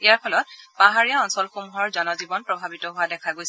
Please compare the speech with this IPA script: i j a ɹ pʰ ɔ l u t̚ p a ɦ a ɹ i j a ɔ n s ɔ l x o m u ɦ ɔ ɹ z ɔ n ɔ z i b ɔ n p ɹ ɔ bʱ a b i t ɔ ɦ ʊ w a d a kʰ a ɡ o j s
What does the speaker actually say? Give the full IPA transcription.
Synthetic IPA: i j a ɹ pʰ ɔ l ɔ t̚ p a ɦ a ɹ i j a ɔ n s ɔ l x o m u ɦ ɔ ɹ z ɔ n ɔ z i b ɔ n p ɹ ɔ bʱ a b i t ɔ ɦ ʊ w a d ɛ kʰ a ɡ o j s